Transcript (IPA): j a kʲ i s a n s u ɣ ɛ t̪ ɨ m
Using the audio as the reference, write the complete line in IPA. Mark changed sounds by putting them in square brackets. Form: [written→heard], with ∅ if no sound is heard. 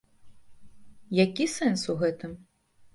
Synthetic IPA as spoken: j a kʲ i s [a→ɛ] n s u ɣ ɛ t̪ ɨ m